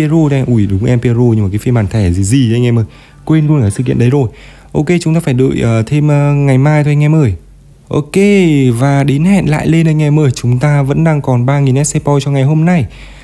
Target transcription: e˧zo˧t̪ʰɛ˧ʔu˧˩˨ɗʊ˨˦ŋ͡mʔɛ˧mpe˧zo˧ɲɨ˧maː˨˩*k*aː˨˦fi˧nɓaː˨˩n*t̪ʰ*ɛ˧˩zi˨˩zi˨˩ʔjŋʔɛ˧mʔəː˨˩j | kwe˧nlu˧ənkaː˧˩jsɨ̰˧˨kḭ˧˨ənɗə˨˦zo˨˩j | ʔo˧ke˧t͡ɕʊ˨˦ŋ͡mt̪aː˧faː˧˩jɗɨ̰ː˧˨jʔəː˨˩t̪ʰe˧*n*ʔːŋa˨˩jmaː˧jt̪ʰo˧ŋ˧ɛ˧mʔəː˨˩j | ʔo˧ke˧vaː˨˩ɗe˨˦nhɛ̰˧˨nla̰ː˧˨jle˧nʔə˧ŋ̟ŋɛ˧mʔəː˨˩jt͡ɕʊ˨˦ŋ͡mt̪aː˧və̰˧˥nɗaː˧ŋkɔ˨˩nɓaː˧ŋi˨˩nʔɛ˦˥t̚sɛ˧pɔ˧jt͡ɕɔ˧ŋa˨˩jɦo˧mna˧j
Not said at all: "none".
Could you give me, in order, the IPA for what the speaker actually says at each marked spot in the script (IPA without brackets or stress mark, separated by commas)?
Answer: k, t̪ʰ, m